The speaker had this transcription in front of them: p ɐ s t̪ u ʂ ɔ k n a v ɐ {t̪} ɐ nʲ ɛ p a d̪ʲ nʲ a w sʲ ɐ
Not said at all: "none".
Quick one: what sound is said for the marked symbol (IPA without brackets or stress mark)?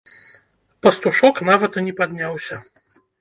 t̪